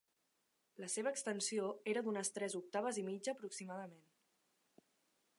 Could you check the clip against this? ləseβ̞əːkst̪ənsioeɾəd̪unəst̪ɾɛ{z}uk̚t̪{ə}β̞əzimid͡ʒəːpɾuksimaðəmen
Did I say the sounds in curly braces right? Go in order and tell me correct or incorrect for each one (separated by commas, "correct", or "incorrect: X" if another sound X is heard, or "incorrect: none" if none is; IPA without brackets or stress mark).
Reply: correct, incorrect: a